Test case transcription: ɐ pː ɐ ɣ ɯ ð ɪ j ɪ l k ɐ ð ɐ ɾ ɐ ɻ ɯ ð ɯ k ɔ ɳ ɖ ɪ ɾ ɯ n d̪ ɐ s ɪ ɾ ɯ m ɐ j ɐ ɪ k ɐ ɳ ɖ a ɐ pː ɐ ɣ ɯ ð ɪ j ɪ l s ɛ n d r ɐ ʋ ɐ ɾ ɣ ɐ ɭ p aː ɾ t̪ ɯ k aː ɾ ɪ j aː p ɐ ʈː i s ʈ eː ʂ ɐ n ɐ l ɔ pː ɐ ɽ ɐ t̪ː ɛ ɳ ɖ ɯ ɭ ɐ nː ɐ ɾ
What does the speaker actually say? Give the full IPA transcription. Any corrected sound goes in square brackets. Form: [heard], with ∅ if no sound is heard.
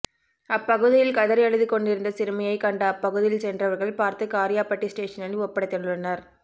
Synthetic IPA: ɐ pː ɐ ɣ ɯ ð ɪ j ɪ l k ɐ ð ɐ ɾ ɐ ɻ ɯ ð ɯ k ɔ ɳ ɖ ɪ ɾ ɯ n d̪ ɐ s ɪ ɾ ɯ m ɐ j ɐ ɪ k ɐ ɳ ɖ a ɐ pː ɐ ɣ ɯ ð ɪ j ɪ l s ɛ n d r ɐ ʋ ɐ ɾ ɣ ɐ ɭ p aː ɾ t̪ ɯ k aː ɾ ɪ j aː p ɐ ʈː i s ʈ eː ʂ ɐ n ɐ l ɔ pː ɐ ɽ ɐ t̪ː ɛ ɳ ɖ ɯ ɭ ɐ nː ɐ ɾ